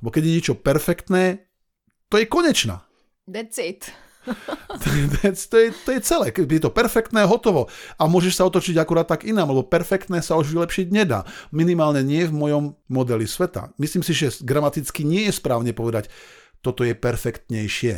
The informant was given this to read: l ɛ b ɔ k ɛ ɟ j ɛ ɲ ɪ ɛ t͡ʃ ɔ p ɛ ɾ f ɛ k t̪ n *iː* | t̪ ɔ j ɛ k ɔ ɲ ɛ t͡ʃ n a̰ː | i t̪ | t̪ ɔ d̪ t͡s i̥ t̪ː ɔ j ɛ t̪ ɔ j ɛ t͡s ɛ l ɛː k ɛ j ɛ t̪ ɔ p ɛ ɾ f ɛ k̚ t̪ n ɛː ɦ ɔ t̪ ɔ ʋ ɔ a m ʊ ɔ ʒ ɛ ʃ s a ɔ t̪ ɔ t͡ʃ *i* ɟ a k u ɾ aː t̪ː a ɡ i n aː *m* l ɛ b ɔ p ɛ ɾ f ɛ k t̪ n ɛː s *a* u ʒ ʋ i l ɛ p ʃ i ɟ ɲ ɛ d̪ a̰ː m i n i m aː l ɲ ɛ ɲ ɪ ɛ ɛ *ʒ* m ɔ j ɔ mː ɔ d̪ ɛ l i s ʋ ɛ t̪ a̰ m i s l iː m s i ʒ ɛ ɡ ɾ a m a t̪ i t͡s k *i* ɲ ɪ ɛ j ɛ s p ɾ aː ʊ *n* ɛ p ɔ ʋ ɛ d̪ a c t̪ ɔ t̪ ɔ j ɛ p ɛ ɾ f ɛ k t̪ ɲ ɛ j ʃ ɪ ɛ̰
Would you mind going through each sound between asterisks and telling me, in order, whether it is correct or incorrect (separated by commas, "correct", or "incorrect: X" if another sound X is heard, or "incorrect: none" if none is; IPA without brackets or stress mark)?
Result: incorrect: ɛː, correct, correct, correct, incorrect: v, correct, incorrect: ɲ